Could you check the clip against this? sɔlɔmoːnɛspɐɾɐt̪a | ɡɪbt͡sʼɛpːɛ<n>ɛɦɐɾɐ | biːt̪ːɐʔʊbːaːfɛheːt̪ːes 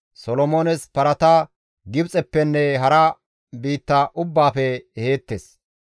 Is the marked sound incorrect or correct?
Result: incorrect